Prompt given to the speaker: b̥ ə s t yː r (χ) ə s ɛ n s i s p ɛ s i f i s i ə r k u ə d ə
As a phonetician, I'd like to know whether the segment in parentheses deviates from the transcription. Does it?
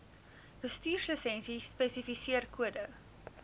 yes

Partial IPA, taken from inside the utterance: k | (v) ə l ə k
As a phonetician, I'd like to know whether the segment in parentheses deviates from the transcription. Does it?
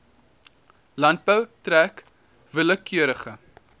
no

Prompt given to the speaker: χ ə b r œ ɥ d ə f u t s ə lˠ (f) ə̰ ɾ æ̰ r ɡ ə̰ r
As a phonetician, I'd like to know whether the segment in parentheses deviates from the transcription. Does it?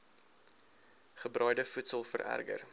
no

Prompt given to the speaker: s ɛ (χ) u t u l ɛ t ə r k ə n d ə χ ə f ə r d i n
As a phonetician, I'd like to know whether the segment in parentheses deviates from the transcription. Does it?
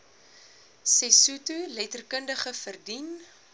yes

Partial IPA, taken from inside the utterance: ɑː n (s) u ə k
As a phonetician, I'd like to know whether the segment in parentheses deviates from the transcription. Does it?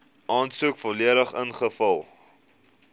no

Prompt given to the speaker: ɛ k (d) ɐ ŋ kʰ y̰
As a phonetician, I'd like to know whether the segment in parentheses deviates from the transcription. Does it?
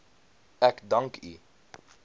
no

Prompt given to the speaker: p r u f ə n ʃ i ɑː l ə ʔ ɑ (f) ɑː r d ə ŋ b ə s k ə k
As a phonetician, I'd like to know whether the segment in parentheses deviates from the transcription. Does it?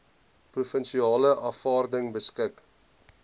no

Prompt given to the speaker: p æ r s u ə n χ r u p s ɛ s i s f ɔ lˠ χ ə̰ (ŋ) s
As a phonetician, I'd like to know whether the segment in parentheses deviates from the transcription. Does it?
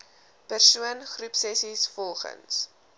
yes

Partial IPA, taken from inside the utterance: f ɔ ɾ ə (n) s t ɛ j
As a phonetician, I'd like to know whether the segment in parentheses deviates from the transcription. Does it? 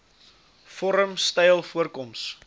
yes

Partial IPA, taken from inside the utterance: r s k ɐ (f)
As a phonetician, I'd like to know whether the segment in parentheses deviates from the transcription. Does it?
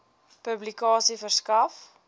no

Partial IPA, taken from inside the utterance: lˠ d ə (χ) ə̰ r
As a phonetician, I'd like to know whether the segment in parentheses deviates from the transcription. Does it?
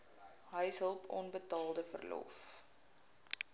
yes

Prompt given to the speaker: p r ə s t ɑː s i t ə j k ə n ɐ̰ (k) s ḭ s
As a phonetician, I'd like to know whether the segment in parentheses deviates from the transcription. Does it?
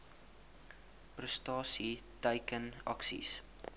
no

